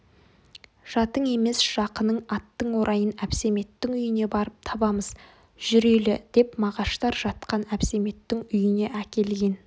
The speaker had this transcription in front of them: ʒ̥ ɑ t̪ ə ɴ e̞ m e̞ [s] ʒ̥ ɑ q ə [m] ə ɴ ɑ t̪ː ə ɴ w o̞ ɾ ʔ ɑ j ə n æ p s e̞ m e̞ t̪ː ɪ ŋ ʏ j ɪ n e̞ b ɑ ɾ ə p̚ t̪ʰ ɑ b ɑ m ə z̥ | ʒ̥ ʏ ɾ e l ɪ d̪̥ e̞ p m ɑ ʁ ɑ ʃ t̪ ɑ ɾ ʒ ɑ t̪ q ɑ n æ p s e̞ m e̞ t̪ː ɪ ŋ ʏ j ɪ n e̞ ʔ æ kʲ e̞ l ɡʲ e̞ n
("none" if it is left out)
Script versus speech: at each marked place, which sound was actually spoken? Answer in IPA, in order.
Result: s, n

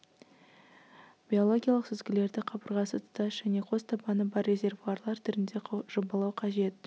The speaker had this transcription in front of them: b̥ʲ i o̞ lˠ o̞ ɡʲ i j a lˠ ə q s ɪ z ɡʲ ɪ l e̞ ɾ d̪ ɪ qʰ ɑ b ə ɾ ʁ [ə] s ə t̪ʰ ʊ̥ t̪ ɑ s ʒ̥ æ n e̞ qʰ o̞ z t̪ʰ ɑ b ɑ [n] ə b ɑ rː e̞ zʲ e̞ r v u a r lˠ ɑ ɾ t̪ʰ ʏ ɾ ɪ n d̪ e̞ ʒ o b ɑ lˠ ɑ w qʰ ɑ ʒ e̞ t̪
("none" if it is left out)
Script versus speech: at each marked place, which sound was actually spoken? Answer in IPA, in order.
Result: ɑ, n

